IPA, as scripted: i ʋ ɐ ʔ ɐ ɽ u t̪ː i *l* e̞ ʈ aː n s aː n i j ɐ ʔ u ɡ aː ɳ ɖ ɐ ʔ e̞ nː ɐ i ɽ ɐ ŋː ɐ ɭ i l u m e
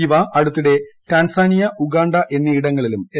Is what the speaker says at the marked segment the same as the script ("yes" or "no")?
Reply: no